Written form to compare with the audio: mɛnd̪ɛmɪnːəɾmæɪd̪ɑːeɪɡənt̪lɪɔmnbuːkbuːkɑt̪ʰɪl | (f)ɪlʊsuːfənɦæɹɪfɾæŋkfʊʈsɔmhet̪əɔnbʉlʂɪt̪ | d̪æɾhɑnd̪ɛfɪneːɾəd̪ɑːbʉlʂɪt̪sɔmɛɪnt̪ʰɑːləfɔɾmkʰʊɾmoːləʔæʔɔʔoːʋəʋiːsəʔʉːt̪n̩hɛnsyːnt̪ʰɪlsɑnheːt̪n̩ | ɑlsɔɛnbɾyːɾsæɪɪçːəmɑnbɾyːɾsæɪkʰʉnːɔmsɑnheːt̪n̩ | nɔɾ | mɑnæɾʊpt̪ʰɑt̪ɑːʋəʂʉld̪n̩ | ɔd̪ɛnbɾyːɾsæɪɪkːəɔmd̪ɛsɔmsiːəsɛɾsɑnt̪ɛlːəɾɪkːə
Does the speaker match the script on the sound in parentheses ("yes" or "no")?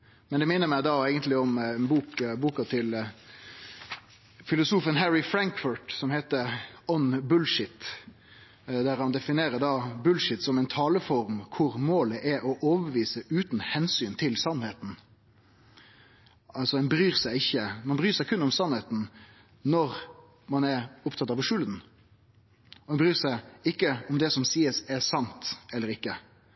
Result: yes